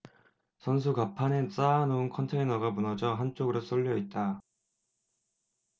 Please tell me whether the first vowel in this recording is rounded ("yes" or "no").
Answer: no